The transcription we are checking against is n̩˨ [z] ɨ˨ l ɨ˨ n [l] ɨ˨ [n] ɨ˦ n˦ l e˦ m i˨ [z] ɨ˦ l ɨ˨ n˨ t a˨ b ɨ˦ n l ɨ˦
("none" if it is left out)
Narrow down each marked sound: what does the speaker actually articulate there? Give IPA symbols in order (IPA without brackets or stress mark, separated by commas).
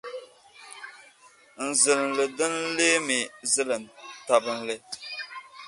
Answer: z, l, d, z